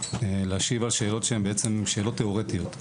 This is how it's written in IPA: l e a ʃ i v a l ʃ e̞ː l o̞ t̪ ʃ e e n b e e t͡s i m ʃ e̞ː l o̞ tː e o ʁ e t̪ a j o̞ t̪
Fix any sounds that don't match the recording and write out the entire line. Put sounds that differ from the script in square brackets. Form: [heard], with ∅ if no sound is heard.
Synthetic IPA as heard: l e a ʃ i v a l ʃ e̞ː l o̞ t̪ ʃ e e [m] b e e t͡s [e] m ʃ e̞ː l o̞ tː e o ʁ e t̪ [i] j o̞ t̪